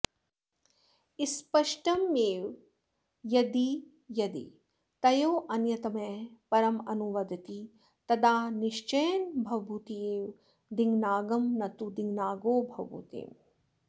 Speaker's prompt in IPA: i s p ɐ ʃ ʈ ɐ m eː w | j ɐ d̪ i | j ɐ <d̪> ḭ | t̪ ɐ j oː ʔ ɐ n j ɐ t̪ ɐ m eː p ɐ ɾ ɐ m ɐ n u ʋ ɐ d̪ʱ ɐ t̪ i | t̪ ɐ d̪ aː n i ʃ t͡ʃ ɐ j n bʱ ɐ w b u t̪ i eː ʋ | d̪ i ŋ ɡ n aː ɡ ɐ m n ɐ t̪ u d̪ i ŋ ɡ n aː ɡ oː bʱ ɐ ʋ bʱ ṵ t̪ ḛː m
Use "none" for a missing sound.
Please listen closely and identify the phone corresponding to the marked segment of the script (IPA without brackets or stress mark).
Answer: d̪